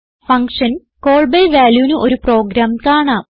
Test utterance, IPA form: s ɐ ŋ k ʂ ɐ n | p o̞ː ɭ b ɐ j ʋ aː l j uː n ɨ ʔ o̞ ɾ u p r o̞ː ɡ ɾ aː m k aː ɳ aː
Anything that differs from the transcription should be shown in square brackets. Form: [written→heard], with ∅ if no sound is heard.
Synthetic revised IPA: [s→f] ɐ ŋ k ʂ ɐ n | [p→k] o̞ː ɭ b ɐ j ʋ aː l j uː n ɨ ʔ o̞ ɾ u p r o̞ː ɡ ɾ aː m k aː ɳ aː